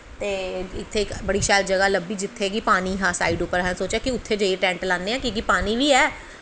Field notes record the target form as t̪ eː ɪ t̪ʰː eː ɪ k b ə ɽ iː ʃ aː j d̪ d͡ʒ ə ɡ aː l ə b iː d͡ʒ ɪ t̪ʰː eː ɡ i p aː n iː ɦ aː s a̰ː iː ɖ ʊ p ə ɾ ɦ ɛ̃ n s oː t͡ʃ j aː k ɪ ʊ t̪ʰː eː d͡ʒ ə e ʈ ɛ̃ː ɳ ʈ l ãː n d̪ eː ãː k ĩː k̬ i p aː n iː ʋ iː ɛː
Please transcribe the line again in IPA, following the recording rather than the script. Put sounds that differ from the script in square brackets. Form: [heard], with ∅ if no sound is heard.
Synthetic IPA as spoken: t̪ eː ɪ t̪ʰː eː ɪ k b ə ɽ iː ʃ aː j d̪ d͡ʒ ə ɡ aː l ə b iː d͡ʒ ɪ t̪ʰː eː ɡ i p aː n iː ɦ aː s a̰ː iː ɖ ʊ p ə ɾ ɦ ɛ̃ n s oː t͡ʃ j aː k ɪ ʊ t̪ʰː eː d͡ʒ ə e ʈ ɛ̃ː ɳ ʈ l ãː n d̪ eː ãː k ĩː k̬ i p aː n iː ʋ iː ɛː